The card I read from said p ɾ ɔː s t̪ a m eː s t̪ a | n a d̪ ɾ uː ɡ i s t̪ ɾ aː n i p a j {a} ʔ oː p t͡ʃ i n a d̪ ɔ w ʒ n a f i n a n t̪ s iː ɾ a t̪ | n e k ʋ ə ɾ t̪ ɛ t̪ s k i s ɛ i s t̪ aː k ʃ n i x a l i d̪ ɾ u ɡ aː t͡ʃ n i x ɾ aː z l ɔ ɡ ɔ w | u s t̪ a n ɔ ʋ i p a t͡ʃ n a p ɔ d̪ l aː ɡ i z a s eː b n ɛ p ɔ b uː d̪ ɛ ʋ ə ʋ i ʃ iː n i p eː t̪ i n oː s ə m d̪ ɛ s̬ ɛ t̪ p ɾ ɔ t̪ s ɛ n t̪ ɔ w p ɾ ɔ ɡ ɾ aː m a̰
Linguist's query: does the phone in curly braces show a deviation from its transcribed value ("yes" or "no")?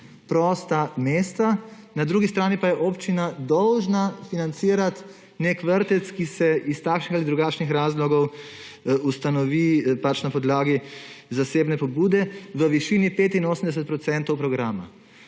yes